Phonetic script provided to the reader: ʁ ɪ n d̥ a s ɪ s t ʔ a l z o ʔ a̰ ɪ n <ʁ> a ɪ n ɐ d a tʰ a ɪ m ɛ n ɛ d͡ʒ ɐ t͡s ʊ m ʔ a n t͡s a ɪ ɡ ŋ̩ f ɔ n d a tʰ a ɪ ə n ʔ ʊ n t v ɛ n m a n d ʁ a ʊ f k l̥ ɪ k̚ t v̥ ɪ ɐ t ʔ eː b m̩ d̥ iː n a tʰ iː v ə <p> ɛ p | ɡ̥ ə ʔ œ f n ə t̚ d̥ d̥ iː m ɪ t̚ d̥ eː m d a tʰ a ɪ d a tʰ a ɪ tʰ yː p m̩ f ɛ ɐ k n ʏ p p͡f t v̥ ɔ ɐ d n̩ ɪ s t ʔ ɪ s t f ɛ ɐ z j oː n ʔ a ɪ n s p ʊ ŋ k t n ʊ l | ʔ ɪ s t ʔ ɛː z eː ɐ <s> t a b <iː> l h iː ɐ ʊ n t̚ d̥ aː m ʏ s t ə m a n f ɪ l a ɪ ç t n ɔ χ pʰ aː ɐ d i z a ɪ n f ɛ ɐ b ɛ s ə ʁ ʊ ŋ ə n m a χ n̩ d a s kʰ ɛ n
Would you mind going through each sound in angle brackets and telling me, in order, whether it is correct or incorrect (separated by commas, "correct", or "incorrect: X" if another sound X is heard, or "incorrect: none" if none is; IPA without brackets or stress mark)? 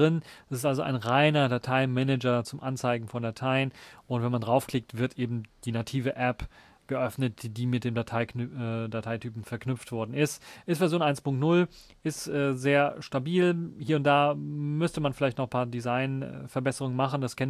correct, incorrect: ʔ, incorrect: ʃ, correct